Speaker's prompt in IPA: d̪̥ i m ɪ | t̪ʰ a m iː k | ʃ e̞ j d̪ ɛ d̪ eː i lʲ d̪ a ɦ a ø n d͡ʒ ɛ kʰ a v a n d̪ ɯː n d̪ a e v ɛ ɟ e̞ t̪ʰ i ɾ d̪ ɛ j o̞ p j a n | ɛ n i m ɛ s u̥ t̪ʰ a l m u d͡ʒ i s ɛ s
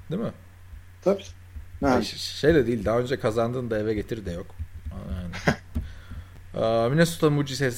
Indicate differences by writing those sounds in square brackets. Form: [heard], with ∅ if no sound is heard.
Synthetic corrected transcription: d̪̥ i m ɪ | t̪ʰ a [b] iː [∅] | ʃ e̞ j d̪ ɛ d̪ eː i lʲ d̪ a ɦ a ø n d͡ʒ ɛ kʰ a [z] a n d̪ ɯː n d̪ a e v ɛ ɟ e̞ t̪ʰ i ɾ d̪ ɛ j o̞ [k] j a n | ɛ [m] i [n] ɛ s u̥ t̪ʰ a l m u d͡ʒ i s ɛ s